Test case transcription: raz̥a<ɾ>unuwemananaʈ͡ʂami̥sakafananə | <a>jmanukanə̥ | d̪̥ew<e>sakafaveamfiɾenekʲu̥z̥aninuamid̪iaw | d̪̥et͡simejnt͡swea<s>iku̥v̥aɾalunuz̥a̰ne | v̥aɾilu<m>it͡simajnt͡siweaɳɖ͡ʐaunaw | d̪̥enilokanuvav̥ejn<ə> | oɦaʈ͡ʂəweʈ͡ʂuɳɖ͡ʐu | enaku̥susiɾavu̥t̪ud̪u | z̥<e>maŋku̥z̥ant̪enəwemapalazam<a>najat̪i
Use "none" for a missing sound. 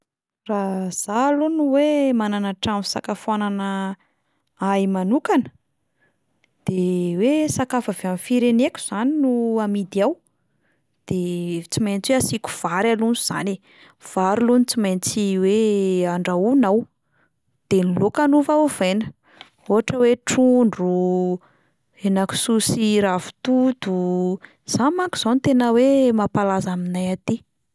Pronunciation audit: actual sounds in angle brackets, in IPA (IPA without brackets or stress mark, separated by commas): l, a, e, s, n, ə, a, i